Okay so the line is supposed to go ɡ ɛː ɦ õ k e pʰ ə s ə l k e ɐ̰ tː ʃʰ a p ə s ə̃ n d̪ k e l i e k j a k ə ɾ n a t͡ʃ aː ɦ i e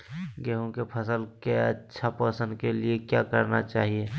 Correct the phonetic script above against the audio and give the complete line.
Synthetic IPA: ɡ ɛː ɦ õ k e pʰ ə s ə l k e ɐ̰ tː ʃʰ a p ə s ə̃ n d̪ k e l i e k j a k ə ɾ n a t͡ʃ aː ɦ i e

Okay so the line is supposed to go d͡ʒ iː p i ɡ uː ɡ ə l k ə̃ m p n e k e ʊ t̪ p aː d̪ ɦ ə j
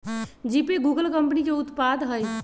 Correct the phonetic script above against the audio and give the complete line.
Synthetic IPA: d͡ʒ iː p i ɡ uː ɡ ə l k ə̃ m p n i k e ʊ t̪ p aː d̪ ɦ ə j

